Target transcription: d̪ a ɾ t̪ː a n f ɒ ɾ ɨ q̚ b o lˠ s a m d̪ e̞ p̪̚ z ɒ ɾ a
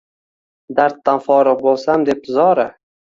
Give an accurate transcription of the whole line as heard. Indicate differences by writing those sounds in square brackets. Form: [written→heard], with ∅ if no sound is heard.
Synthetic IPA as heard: d̪ a ɾ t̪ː a n f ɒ ɾ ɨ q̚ b o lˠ s a m d̪ e̞ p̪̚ z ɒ ɾ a